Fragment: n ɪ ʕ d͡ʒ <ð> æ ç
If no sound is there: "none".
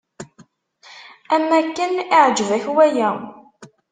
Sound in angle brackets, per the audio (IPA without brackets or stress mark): v